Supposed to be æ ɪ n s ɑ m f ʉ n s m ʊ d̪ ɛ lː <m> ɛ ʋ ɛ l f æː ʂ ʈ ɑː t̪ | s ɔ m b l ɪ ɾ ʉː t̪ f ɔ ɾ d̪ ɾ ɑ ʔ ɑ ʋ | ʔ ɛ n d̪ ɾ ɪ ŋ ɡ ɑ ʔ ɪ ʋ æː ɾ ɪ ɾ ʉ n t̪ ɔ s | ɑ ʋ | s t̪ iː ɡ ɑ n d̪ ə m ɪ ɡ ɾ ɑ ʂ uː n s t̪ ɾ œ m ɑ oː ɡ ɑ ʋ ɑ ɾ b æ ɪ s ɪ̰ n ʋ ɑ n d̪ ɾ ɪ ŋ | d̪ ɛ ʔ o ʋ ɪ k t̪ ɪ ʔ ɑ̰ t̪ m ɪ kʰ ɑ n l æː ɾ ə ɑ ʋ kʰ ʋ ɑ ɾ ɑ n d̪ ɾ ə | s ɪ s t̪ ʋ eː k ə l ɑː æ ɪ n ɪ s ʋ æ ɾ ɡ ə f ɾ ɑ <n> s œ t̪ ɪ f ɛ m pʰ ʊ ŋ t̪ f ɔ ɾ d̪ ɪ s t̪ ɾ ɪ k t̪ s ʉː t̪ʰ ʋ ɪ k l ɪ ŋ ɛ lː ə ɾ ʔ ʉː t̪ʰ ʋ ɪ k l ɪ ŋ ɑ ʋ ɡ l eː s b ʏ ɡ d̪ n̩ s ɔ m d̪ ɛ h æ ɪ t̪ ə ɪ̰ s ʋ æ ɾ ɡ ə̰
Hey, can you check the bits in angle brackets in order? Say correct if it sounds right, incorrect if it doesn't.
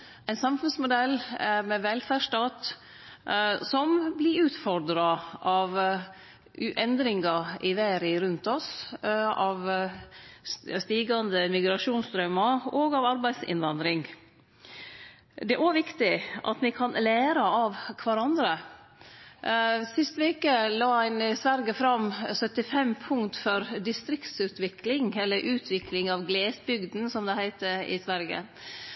correct, incorrect: m

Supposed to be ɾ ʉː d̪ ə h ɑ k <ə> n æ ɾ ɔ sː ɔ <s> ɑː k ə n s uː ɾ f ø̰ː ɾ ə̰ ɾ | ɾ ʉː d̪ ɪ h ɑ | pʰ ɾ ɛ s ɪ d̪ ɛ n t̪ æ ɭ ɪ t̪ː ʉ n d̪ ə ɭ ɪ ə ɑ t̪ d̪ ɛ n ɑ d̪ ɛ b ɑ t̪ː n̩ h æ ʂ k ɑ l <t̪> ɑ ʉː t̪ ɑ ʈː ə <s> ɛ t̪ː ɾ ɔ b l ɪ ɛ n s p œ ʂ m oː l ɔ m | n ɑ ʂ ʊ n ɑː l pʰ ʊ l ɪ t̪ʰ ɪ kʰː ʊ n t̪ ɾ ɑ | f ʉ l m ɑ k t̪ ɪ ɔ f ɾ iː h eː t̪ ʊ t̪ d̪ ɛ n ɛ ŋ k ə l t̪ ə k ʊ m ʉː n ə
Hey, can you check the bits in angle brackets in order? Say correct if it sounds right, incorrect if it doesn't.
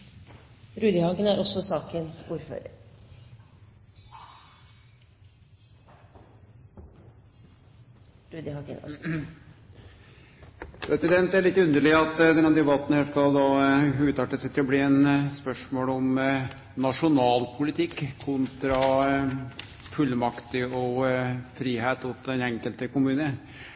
correct, correct, incorrect: d̪, correct

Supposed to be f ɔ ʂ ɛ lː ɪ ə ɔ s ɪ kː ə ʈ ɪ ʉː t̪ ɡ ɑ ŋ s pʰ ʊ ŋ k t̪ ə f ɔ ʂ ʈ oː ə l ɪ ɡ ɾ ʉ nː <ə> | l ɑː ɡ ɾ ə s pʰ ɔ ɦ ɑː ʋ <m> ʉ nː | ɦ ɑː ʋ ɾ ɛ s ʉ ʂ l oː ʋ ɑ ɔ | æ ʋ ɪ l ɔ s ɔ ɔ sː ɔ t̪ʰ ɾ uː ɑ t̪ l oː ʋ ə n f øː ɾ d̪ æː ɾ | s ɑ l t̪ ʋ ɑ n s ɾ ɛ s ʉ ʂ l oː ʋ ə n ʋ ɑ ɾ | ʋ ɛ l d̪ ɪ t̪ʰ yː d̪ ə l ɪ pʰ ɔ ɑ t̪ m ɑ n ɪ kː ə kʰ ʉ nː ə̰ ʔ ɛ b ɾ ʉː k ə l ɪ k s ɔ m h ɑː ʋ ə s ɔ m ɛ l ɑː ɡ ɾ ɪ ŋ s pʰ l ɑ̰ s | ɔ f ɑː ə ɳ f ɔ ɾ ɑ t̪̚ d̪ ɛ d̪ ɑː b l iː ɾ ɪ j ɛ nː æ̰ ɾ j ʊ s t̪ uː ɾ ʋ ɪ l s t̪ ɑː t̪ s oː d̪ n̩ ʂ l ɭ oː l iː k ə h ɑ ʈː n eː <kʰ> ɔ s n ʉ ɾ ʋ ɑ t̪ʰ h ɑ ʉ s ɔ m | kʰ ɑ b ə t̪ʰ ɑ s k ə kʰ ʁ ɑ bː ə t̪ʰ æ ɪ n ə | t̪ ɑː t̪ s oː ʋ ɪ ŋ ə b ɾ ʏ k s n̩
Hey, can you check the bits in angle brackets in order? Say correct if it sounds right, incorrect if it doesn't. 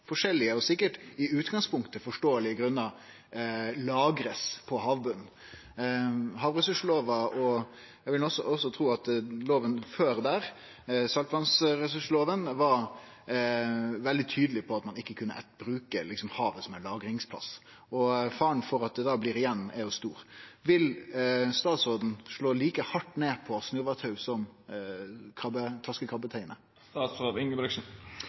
incorrect: ɑ, incorrect: b, incorrect: pʰ

